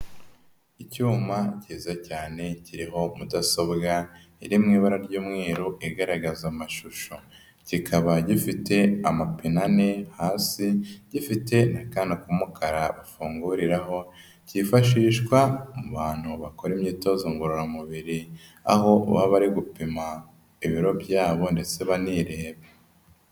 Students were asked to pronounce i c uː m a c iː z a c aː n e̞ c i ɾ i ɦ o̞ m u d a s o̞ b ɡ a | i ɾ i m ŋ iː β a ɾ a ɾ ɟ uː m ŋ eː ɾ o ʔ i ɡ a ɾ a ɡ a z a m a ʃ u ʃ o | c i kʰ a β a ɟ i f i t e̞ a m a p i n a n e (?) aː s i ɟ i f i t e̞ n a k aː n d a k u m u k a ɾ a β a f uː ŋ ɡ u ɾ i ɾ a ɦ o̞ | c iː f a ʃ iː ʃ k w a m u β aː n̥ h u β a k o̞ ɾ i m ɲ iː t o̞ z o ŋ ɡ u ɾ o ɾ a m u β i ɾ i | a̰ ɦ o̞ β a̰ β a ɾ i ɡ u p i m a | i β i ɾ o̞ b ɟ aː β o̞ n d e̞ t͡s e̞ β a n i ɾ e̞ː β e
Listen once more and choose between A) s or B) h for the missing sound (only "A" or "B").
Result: B